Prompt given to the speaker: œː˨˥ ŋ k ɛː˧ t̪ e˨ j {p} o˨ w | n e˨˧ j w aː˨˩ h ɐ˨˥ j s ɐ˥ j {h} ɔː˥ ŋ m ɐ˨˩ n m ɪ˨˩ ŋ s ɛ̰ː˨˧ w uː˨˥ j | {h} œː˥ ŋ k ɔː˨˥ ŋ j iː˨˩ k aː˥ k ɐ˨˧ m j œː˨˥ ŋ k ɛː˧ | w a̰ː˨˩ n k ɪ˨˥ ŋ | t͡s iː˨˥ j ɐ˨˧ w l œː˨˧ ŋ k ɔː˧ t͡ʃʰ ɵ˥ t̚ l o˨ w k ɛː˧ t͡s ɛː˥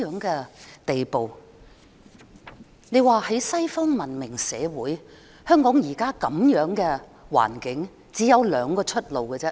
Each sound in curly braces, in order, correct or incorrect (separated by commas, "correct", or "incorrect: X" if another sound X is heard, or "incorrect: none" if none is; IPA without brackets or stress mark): correct, incorrect: f, correct